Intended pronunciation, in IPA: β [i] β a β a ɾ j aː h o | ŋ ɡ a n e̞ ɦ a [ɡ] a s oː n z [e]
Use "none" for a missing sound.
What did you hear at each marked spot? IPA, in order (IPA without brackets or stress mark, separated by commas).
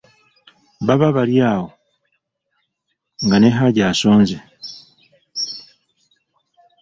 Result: a, ɟ, e